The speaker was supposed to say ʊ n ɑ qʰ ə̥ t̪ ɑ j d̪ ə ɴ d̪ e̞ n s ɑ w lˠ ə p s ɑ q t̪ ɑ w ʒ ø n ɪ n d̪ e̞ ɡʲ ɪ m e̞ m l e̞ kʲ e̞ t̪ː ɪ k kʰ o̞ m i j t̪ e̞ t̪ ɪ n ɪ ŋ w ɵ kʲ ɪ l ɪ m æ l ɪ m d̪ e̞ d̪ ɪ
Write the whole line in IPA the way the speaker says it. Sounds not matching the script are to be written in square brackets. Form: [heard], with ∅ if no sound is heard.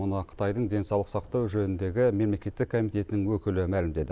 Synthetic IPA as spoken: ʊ n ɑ qʰ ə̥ t̪ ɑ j d̪ ə ɴ d̪ e̞ n s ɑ w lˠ ə [q] s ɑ q t̪ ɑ w ʒ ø n ɪ n d̪ e̞ ɡʲ ɪ m e̞ m l e̞ kʲ e̞ t̪ː ɪ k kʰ o̞ m i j t̪ e̞ t̪ ɪ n ɪ ŋ w ɵ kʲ ɪ l ɪ m æ l ɪ m d̪ e̞ d̪ ɪ